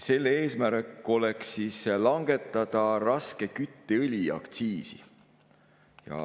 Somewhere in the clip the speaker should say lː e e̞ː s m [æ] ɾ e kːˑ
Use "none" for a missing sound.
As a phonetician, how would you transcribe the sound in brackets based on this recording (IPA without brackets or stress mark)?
æ